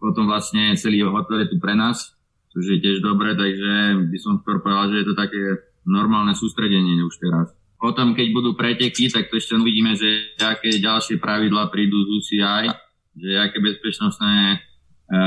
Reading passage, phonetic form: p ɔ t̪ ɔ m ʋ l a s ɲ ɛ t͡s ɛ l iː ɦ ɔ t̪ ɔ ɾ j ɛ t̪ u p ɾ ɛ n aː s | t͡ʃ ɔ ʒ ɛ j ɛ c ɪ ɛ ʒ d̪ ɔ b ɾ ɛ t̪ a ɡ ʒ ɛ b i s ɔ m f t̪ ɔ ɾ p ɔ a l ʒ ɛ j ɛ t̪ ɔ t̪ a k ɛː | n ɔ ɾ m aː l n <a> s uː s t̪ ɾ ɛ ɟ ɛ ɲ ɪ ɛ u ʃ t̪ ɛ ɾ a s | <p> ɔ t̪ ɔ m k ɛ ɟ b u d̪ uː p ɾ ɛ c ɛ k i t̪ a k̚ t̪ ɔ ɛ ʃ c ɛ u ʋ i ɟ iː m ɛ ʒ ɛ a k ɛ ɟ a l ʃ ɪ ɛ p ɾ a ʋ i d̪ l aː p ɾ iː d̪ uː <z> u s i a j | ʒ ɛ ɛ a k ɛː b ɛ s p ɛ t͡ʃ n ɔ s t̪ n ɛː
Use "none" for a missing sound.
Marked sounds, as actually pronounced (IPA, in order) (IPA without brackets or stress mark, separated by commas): ɛ, p, z